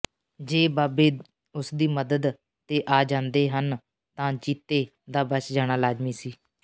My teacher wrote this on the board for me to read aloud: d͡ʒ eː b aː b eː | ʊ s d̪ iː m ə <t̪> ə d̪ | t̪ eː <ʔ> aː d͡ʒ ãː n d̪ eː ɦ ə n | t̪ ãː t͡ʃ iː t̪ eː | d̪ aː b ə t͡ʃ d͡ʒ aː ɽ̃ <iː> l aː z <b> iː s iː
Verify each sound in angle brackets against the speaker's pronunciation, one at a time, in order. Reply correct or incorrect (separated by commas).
incorrect, correct, incorrect, incorrect